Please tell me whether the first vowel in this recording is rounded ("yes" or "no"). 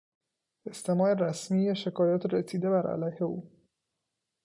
no